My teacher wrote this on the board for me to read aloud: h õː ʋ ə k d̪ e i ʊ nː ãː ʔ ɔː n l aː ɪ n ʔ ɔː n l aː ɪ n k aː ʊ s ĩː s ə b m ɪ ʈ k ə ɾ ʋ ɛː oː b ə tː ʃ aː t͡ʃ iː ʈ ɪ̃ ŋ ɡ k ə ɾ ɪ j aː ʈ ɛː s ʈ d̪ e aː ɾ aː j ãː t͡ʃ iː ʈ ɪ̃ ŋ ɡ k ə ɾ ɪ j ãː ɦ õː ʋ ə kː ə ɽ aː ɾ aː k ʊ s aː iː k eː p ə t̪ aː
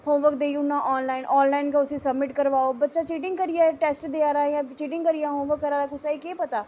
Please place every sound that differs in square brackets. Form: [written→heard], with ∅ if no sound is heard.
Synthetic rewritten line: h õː ʋ ə k d̪ e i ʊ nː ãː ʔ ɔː n l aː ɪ n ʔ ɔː n l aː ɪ n k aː ʊ s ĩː s ə b m ɪ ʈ k ə ɾ ʋ [ɛː→aː] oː b ə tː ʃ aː t͡ʃ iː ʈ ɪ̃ ŋ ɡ k ə ɾ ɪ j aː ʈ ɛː s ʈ d̪ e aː ɾ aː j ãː t͡ʃ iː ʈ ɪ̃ ŋ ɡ k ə ɾ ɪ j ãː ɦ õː ʋ ə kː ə [ɽ→ɾ] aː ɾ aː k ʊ s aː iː k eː p ə t̪ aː